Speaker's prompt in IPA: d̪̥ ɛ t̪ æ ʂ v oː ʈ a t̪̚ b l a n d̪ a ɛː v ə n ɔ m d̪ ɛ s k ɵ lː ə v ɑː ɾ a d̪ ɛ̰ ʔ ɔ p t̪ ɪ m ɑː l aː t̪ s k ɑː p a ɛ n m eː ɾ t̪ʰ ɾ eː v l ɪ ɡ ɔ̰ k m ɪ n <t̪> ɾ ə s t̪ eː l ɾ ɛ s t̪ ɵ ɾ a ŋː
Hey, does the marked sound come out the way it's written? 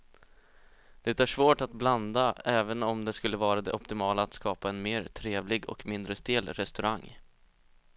no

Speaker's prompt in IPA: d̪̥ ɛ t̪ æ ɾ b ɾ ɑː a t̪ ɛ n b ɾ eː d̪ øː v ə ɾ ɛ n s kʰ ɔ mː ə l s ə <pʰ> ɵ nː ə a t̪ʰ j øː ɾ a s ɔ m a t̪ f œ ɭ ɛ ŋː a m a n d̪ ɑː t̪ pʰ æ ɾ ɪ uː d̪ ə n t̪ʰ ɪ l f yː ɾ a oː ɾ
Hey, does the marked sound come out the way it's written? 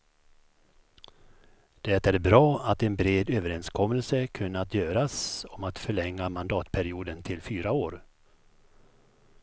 no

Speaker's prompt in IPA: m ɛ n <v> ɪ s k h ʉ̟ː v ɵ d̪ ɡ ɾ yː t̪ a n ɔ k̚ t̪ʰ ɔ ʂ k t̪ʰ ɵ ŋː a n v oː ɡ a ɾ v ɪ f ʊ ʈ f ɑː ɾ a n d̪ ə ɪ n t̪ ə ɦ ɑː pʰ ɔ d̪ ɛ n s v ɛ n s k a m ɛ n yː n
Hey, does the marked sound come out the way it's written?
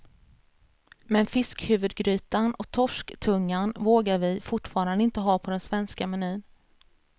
no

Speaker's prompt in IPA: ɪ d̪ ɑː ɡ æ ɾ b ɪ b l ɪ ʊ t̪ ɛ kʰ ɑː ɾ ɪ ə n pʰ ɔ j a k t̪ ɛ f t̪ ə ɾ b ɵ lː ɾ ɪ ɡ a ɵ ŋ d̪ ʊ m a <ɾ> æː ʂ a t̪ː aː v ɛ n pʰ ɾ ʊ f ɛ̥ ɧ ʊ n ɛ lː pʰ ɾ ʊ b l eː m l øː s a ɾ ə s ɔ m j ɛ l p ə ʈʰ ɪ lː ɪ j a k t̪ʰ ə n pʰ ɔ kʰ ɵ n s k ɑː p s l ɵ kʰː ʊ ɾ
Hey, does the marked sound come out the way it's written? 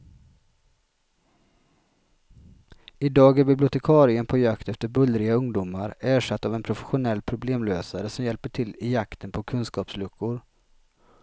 yes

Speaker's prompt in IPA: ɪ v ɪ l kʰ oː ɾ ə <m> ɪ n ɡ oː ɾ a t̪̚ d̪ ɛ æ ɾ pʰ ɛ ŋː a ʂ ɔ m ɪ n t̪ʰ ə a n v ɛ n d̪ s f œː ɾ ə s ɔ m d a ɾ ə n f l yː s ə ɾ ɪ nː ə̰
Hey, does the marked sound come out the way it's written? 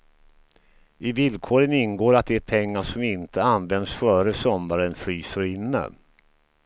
no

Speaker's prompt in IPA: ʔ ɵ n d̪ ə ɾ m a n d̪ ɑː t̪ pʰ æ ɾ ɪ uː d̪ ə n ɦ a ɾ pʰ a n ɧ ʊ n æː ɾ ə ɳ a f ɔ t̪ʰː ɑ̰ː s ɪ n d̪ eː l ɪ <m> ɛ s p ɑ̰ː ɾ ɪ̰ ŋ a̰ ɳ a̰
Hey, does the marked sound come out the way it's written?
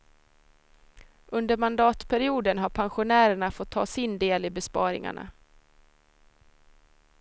no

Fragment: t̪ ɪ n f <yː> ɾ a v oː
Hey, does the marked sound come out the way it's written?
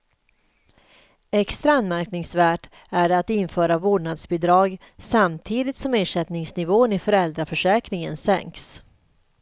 no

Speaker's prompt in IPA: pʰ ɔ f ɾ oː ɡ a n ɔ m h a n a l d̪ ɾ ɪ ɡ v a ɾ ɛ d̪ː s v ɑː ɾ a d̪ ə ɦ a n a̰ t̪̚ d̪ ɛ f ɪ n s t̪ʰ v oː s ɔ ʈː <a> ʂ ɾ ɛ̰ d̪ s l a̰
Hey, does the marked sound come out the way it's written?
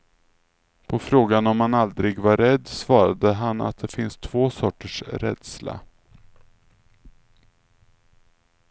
no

